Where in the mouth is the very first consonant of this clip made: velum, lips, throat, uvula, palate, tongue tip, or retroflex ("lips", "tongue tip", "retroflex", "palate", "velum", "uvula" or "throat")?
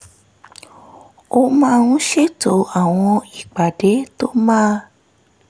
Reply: lips